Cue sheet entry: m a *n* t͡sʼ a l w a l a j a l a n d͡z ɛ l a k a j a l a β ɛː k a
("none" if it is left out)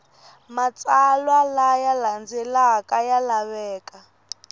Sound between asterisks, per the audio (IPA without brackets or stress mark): none